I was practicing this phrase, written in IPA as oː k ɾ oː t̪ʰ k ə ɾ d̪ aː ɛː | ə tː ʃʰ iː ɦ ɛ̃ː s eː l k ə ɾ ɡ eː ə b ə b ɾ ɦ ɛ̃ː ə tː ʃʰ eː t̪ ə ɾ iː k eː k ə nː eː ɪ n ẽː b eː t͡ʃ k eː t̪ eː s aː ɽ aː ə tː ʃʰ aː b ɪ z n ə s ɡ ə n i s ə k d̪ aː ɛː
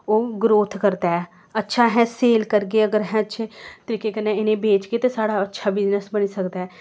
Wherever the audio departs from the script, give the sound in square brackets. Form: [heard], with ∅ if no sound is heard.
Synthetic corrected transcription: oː [ɡ] ɾ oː t̪ʰ k ə ɾ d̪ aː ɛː | ə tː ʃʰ [aː] ɦ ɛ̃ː s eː l k ə ɾ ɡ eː ə [ɡ] ə [∅] ɾ ɦ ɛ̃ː ə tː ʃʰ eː t̪ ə ɾ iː k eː k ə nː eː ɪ n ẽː b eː t͡ʃ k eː t̪ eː s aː ɽ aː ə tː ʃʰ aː b ɪ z n ə s [b] ə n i s ə k d̪ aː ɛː

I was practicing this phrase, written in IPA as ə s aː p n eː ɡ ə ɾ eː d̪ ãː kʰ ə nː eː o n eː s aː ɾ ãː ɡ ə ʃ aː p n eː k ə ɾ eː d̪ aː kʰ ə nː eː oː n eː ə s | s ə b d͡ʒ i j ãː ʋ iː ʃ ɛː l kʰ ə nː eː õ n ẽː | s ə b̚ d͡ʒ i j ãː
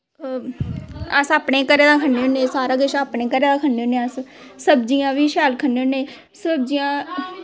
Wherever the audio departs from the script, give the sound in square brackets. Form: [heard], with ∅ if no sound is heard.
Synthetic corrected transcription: ə s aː p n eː [k] ə ɾ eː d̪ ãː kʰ ə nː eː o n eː s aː ɾ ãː ɡ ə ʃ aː p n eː k ə ɾ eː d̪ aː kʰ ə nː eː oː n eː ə s | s ə b d͡ʒ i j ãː ʋ iː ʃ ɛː l kʰ ə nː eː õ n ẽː | s ə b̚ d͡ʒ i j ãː

